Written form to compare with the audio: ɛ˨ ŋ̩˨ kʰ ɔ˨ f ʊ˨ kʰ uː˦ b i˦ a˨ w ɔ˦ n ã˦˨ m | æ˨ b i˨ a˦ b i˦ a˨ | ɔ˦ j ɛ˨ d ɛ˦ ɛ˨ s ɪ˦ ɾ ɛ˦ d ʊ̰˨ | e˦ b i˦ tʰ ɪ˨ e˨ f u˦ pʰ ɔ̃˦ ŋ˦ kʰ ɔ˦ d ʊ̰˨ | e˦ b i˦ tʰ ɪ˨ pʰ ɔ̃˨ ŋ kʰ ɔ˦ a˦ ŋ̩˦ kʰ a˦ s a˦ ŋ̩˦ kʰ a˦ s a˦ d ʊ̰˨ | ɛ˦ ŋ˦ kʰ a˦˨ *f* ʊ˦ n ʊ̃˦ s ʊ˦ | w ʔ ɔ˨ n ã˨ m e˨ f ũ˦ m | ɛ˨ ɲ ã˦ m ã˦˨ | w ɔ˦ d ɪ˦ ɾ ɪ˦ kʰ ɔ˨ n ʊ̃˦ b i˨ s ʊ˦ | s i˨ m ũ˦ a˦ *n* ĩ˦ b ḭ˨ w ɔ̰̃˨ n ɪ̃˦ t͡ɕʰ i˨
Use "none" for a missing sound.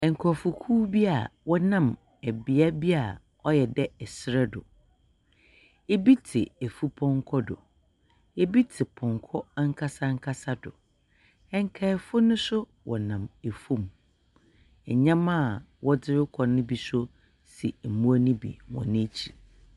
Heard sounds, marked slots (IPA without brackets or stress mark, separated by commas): f, n